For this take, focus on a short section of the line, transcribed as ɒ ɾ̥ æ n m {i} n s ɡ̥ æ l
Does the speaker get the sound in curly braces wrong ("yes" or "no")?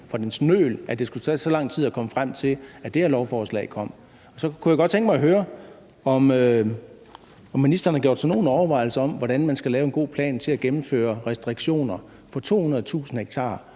yes